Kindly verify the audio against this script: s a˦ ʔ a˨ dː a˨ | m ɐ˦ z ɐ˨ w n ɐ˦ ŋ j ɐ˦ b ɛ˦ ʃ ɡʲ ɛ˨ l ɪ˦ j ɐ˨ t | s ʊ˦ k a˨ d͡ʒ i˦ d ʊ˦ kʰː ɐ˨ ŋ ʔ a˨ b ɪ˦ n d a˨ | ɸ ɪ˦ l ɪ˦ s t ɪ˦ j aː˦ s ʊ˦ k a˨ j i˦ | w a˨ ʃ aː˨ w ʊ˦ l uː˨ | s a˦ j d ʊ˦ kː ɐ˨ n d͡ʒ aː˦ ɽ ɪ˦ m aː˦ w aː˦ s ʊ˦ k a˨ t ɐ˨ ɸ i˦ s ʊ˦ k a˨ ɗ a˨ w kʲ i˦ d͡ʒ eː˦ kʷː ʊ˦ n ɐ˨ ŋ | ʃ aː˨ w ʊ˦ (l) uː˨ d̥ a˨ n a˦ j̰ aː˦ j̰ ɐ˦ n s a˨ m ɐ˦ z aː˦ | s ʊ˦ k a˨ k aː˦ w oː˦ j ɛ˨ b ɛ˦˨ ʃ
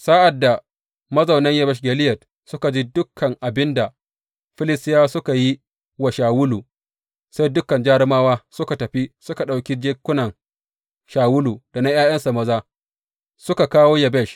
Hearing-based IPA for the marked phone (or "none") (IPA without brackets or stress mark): l